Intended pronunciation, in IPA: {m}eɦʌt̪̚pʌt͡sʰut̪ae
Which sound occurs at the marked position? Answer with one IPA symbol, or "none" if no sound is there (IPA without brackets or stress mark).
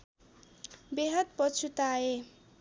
b